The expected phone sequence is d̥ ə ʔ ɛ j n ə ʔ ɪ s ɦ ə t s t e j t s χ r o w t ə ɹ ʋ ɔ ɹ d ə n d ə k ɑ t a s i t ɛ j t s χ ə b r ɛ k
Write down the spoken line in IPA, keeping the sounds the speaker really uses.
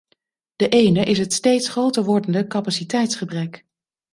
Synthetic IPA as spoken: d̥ ə ʔ e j n ə ʔ ɪ s ɦ ə t s t e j t s χ r o w t ə ɹ ʋ ɔ ɹ d ə n d ə k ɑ p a s i t ɛ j t s χ ə b r ɛ k